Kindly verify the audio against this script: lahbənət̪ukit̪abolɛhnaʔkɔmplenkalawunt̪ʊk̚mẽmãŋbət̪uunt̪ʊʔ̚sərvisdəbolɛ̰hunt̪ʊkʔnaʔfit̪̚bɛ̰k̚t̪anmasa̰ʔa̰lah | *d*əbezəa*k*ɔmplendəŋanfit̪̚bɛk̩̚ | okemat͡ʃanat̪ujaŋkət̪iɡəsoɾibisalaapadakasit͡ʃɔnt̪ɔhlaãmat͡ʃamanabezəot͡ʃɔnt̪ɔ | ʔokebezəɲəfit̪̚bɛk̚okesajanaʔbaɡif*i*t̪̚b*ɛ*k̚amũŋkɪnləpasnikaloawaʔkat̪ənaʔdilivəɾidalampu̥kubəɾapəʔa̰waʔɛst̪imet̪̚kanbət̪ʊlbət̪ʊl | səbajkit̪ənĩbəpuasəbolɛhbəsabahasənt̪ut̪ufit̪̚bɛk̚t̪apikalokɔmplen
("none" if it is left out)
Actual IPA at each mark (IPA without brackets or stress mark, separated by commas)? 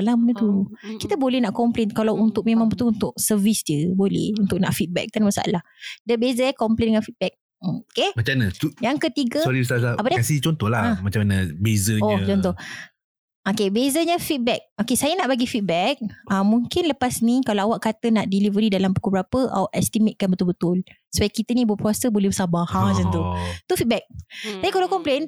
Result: d, k, i, ɛ